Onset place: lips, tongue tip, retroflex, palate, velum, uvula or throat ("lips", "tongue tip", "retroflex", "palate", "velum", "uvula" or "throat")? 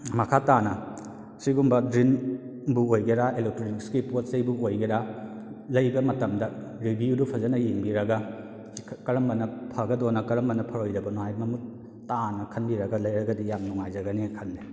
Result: lips